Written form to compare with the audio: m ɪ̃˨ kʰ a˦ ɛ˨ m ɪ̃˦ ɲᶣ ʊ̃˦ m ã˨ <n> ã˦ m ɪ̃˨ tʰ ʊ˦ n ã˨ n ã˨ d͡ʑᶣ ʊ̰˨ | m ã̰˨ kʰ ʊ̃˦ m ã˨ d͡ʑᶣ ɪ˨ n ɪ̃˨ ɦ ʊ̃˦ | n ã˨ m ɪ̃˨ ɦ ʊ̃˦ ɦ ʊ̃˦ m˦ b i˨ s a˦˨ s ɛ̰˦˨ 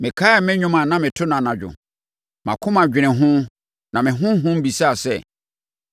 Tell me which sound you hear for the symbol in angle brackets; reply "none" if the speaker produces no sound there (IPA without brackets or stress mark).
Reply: n